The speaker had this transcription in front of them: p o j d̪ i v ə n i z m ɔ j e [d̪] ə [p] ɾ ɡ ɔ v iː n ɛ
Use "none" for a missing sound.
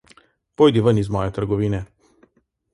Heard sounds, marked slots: t̪, none

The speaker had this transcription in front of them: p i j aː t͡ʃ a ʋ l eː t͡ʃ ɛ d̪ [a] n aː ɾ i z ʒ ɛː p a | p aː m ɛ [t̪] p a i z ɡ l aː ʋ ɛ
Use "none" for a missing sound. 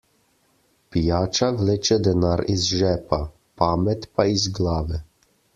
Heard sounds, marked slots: ɛ, t̪

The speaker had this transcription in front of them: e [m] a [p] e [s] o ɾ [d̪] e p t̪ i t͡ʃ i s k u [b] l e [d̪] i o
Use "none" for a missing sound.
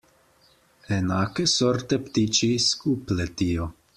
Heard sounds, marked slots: n, k, s, t̪, p, t̪

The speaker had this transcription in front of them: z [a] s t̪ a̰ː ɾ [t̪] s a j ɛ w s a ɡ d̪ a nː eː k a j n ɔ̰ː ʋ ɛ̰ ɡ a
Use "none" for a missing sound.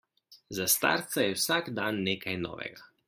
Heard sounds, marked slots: a, t̪

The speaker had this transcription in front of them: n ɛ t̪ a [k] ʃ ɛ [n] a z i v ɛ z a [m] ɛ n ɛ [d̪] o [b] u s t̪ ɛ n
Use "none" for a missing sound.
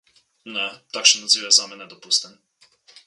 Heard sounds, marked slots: k, n, m, d̪, p

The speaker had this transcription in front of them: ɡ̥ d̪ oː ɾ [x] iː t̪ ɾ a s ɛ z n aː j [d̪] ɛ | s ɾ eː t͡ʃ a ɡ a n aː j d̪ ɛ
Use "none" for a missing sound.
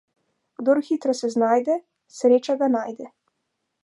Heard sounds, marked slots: x, d̪

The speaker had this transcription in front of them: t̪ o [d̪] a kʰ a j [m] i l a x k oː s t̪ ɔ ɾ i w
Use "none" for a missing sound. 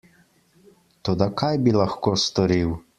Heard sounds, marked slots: d̪, b

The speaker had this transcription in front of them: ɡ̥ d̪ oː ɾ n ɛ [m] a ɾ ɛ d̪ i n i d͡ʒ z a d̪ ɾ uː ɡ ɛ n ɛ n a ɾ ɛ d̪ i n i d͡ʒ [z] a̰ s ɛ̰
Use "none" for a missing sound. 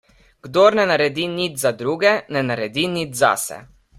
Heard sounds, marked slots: n, z

